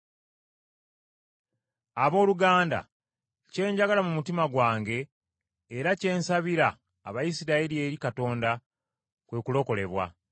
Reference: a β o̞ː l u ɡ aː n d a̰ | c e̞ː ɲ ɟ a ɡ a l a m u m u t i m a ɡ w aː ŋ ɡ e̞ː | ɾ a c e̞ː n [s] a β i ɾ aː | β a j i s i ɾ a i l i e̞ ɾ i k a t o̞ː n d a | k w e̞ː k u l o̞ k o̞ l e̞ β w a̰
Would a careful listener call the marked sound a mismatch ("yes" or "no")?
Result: no